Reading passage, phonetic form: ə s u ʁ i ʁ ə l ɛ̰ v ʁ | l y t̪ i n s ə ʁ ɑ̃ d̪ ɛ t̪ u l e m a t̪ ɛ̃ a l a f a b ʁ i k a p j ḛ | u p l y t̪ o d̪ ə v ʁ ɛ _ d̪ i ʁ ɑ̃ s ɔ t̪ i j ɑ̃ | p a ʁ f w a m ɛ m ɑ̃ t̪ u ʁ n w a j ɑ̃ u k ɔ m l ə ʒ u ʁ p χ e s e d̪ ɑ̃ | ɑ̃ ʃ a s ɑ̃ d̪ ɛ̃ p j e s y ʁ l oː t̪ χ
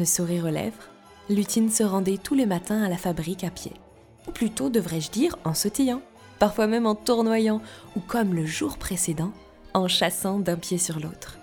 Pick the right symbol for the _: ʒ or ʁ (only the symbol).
ʒ